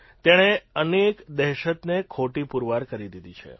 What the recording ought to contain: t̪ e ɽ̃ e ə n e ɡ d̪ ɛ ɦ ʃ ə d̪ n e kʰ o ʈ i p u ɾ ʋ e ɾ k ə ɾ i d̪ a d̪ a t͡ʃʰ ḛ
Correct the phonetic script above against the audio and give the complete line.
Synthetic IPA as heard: t̪ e ɽ̃ e ə n e k d̪ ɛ ɦ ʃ ə t̪ n e kʰ o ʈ i p u ɾ ʋ a ɾ k ə ɾ i d̪ i d̪ i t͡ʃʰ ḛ